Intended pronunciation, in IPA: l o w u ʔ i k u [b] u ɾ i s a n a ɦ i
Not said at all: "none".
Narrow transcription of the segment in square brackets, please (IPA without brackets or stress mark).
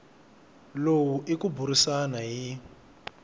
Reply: b